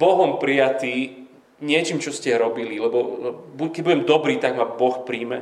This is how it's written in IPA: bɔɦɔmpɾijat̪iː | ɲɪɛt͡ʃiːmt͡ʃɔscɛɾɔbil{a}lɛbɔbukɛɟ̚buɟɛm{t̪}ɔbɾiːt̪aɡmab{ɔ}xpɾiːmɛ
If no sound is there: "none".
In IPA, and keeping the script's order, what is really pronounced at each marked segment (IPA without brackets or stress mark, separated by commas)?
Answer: i, d̪, ɔ